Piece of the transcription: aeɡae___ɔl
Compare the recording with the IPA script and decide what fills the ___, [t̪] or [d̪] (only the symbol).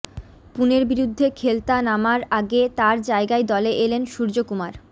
d̪